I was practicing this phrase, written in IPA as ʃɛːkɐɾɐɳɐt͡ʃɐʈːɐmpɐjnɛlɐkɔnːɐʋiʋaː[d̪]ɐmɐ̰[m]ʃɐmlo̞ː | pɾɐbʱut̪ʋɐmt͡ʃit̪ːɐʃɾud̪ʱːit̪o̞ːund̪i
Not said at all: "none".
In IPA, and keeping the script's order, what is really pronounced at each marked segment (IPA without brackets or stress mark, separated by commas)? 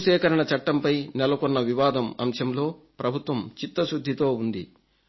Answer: d̪, m